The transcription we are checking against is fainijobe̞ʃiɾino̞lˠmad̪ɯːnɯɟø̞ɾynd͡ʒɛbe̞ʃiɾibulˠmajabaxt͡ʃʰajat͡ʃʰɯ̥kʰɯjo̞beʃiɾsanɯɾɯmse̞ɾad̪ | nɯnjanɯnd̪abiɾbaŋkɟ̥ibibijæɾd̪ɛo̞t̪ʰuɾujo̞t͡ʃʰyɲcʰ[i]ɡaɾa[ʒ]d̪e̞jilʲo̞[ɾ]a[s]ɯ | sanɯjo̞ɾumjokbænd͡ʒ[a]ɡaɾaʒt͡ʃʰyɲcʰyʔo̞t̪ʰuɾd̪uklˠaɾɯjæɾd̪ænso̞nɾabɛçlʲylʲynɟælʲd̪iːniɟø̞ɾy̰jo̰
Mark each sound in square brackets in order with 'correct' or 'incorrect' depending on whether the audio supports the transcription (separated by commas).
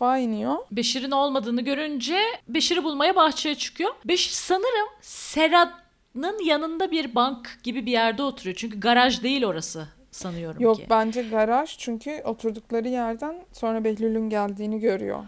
incorrect, correct, correct, correct, incorrect